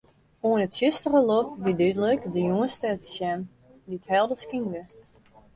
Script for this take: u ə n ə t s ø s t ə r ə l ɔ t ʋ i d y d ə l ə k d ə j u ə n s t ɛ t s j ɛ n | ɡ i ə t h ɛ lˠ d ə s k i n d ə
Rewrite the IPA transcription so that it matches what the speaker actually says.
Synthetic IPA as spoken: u ə n ə t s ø s t ə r ə l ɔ t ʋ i d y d ə l ə k d ə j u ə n s t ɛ t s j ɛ n | d i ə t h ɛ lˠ d ə s k i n d ə